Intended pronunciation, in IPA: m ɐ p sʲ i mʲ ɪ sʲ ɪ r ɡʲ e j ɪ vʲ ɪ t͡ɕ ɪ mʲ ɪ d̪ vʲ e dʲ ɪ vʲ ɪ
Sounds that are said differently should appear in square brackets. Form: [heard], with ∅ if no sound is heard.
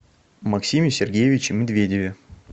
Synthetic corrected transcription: m ɐ [k] sʲ i mʲ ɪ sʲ ɪ r ɡʲ e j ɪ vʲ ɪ t͡ɕ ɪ mʲ ɪ d̪ vʲ e dʲ ɪ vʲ ɪ